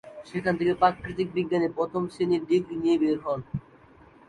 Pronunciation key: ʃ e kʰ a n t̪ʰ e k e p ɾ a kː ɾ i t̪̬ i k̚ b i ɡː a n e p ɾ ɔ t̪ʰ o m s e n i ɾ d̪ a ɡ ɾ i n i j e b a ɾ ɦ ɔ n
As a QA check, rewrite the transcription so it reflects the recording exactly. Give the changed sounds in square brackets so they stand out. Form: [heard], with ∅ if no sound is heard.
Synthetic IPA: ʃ e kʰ a n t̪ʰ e k e p ɾ a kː ɾ i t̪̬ i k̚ b i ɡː a n e p ɾ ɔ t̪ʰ o m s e n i ɾ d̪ [i] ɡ ɾ i n i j e b [e] ɾ ɦ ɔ n